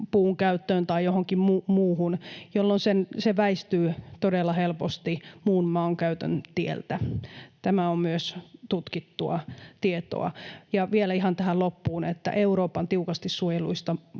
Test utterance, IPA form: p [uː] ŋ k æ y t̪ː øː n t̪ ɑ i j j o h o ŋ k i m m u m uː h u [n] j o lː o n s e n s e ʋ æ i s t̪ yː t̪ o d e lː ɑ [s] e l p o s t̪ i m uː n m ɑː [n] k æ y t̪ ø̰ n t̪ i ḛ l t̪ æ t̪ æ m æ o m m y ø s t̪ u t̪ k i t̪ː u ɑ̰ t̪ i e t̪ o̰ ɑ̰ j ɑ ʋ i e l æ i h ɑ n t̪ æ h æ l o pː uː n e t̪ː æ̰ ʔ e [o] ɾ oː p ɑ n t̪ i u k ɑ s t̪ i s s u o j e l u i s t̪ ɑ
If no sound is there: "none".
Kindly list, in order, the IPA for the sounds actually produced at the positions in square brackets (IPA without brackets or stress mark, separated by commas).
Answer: uː, n, h, ŋ, u